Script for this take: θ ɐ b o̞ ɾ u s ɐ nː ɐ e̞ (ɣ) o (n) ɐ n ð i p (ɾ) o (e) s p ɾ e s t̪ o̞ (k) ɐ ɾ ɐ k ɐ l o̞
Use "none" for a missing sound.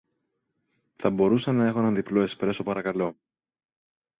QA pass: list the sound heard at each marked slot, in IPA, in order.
x, n, l, e, p

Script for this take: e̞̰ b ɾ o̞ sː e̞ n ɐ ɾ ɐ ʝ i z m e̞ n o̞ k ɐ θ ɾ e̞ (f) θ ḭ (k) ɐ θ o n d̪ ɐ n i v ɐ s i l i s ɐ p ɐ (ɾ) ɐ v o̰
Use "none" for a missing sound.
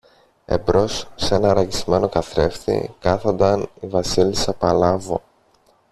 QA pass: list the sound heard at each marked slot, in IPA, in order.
f, k, l

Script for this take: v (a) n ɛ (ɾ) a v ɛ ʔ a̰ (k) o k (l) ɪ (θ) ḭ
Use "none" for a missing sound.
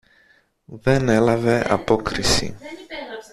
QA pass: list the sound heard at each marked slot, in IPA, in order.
ɛ, l, p, ɾ, s

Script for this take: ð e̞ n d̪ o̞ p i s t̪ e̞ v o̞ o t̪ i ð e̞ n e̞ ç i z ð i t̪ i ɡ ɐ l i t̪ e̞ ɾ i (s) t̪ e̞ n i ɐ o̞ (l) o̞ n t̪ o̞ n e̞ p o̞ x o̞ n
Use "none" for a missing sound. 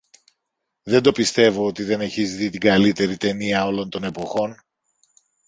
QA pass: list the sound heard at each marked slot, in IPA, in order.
none, l

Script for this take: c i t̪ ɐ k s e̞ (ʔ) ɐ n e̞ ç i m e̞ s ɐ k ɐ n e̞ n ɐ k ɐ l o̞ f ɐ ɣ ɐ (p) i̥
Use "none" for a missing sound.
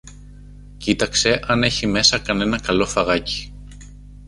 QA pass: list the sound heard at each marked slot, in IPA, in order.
ʔ, c

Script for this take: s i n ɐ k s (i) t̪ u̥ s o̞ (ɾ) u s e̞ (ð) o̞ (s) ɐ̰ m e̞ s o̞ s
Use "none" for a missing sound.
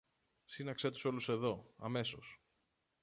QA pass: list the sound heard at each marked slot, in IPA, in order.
e, l, ð, none

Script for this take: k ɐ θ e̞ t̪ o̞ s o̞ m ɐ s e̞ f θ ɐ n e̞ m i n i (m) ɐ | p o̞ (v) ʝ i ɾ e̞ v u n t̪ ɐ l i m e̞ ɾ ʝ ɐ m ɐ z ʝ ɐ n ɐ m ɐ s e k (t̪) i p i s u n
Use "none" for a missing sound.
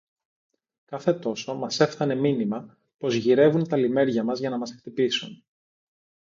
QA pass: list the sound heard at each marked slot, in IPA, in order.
m, z, t̪

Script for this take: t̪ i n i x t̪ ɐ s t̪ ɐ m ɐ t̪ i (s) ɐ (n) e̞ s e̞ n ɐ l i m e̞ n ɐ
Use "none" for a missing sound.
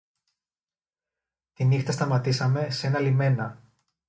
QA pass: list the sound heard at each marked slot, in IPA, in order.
s, m

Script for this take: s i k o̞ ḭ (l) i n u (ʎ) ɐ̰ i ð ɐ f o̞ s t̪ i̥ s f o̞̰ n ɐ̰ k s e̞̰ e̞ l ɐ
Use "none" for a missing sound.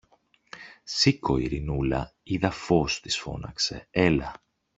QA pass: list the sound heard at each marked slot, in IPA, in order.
ɾ, l

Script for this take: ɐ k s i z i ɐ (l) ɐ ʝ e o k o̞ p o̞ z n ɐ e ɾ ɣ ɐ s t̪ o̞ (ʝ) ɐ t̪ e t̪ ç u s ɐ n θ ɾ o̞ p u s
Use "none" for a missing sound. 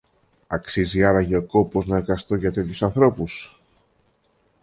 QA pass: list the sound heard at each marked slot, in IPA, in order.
ɾ, ʝ

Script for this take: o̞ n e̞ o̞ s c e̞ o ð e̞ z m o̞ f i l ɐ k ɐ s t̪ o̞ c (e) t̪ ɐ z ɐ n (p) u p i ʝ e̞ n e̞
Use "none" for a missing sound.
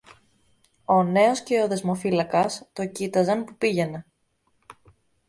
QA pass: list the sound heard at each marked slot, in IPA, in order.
i, p

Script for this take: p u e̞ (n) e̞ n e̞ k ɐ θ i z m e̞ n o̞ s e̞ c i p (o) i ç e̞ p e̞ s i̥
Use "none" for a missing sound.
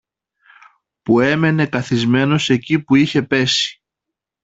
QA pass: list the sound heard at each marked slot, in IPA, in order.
m, u

